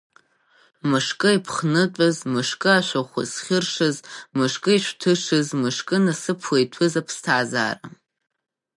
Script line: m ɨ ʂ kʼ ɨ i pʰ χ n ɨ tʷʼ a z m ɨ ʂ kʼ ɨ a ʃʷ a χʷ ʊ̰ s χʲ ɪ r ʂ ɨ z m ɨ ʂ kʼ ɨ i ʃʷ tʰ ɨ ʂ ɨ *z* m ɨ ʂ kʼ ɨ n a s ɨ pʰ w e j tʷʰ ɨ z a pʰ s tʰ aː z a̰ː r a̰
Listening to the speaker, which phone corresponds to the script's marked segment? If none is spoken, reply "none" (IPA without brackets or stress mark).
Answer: z